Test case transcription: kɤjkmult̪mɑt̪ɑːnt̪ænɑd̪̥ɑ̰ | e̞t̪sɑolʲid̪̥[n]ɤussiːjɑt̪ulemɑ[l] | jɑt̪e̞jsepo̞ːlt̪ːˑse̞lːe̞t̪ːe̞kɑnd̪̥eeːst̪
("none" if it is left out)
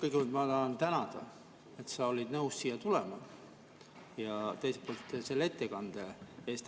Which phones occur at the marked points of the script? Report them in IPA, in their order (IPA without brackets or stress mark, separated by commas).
n, none